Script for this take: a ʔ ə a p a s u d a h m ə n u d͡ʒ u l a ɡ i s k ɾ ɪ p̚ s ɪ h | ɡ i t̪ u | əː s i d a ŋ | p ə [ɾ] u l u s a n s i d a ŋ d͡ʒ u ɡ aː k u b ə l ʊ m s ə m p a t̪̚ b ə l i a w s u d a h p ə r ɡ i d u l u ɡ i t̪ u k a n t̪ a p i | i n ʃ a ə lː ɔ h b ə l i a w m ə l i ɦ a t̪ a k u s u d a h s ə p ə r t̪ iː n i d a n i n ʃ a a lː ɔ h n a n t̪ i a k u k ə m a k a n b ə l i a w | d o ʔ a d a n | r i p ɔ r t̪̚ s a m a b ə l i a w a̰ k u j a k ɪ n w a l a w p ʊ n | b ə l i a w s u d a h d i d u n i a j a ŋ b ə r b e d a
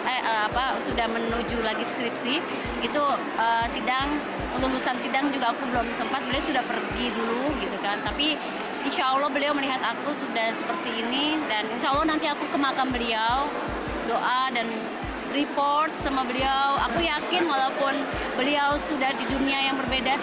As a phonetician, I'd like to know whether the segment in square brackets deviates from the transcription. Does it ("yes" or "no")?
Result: yes